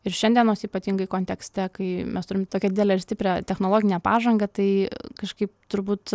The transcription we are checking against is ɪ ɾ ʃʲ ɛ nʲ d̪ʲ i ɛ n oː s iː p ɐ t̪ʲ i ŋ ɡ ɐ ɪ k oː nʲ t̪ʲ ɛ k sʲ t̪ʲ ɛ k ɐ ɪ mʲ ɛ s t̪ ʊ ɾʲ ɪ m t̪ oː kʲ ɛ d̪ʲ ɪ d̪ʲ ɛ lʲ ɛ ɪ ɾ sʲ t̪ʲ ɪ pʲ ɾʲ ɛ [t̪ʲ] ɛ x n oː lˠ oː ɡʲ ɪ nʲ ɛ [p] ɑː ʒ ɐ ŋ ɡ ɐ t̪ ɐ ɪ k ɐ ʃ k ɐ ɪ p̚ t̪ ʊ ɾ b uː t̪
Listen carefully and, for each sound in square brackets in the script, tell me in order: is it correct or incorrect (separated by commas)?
correct, correct